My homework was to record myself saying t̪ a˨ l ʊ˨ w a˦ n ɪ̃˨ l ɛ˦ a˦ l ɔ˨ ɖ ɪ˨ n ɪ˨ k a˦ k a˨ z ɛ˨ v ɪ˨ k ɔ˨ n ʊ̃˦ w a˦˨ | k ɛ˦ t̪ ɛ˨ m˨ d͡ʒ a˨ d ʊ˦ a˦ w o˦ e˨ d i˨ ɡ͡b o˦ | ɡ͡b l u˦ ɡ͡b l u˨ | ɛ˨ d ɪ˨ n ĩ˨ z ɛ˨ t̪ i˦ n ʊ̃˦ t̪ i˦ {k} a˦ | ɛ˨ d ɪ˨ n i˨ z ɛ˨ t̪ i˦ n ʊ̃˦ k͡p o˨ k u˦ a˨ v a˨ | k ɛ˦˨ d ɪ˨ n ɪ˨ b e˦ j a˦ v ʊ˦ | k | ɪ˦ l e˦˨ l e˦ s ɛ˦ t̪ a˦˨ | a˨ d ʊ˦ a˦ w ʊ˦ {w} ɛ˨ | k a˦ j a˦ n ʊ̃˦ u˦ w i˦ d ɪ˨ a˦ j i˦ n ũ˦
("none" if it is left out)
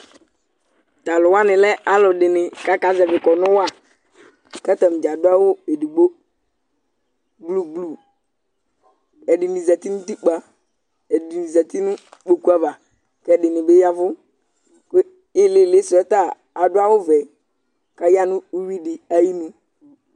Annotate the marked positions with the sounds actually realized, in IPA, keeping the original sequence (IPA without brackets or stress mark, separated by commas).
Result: k͡p, v